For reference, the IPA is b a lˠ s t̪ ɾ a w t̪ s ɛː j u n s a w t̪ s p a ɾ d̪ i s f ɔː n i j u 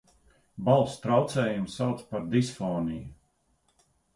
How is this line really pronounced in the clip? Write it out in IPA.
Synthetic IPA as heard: b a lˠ s t̪ ɾ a w t̪ s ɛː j u m s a w t̪ s p a ɾ d̪ i s f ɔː n i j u